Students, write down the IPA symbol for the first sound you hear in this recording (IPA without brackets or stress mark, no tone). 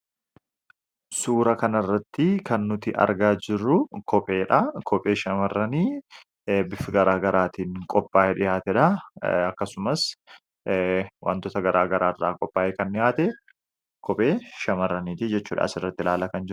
s